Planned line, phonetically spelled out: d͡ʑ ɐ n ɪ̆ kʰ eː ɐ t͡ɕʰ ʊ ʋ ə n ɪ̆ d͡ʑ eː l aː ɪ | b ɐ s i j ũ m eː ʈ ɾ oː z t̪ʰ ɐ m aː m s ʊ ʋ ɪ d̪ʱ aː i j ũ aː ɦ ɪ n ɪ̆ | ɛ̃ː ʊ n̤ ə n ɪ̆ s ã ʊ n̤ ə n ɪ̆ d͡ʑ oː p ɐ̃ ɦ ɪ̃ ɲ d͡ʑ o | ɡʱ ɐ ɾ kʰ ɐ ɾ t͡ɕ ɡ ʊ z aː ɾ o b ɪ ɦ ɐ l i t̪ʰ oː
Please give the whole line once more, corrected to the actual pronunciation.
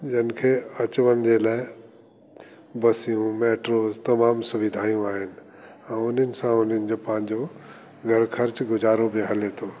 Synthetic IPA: d͡ʑ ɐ n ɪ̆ kʰ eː ɐ t͡ɕ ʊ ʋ ə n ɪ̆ d͡ʑ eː l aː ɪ | b ɐ s i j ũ m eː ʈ ɾ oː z t̪ ɐ m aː m s ʊ ʋ ɪ d̪ʱ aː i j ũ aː ɦ ɪ n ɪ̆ | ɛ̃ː ʊ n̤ ə n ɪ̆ s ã ʊ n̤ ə n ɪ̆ d͡ʑ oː p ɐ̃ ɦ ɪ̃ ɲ d͡ʑ o | ɡʱ ɐ ɾ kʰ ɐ ɾ t͡ɕ ɡ ʊ z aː ɾ o b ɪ ɦ ɐ l e t̪ʰ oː